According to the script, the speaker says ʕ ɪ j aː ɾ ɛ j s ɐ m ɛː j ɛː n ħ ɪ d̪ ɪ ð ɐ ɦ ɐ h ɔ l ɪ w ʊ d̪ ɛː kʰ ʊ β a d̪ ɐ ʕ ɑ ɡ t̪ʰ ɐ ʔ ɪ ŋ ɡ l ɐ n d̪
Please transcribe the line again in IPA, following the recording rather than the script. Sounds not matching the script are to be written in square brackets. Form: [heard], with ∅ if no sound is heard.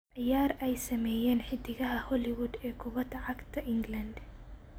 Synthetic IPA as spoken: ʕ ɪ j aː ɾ ɛ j s ɐ m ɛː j ɛː n ħ ɪ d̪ ɪ [ɣ] ɐ ɦ ɐ h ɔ l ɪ w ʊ d̪ ɛː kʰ ʊ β [ɐ] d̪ ɐ ʕ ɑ ɡ t̪ʰ ɐ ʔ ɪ ŋ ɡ l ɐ n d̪